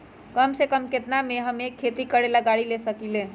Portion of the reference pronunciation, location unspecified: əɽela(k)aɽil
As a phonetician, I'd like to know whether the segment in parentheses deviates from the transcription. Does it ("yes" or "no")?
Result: yes